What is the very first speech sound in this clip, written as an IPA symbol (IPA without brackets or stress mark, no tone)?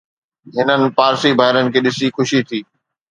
ɦ